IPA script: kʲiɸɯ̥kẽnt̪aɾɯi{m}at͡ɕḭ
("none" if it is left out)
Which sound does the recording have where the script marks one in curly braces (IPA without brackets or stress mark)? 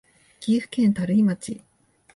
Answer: m